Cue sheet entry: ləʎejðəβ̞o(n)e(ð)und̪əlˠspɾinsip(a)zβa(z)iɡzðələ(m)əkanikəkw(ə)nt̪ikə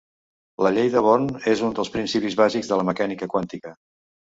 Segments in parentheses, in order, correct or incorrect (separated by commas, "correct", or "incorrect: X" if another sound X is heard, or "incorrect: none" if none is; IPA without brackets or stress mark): correct, incorrect: z, incorrect: i, correct, correct, incorrect: a